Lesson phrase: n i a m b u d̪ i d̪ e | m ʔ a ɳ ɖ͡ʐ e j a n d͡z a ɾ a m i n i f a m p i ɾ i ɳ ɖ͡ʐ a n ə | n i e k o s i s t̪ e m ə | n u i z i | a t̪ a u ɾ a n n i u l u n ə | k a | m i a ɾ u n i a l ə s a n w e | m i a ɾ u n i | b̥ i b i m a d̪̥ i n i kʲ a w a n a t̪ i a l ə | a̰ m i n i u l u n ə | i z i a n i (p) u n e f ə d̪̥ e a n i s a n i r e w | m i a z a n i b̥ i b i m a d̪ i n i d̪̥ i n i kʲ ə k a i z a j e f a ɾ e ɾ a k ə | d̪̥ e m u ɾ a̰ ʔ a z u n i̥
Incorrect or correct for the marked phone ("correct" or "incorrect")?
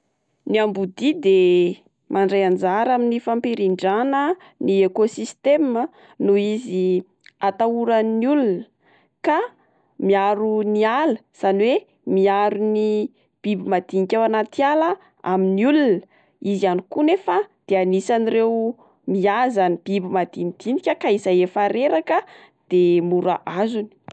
incorrect